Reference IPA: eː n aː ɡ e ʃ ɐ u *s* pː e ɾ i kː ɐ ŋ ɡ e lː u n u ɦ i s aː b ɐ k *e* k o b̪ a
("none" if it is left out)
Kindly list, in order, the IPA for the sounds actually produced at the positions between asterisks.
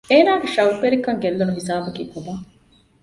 none, i

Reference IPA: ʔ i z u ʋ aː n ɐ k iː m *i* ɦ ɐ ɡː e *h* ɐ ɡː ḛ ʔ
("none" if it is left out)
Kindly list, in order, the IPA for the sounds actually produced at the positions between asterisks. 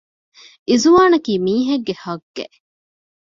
iː, h

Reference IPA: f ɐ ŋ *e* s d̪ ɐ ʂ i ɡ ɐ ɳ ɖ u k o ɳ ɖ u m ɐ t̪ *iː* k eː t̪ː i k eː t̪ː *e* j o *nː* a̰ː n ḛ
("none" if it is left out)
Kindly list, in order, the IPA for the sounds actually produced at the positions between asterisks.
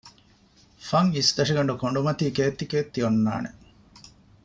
i, iː, i, nː

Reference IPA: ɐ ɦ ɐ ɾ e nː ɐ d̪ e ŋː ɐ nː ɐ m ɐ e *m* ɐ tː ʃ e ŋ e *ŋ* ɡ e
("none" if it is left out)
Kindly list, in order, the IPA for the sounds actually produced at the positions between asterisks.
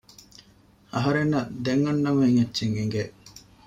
ŋ, ŋ

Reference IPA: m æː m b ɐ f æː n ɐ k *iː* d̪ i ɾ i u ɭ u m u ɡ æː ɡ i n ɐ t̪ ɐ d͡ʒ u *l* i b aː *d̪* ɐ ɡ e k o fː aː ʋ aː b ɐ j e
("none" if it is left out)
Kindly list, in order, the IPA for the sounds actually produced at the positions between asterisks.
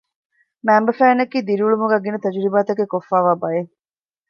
iː, ɾ, t̪

